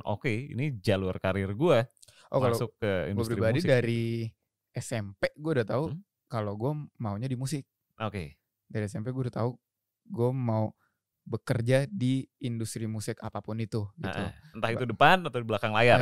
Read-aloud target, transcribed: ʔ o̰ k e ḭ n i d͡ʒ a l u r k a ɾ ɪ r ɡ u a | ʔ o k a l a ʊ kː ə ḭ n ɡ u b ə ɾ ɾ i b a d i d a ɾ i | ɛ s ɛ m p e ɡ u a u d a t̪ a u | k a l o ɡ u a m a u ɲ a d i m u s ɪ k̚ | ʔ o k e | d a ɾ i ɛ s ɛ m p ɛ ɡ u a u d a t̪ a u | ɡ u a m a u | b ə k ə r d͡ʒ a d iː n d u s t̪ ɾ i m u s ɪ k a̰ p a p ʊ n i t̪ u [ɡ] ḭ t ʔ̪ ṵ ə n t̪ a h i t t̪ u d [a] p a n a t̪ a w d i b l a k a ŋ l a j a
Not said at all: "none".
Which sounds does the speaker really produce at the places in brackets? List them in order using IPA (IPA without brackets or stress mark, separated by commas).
ɡ, ə